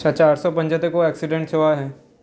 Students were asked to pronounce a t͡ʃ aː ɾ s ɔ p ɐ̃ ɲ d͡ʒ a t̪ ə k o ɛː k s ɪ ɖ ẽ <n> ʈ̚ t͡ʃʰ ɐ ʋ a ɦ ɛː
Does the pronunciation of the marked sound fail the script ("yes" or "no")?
yes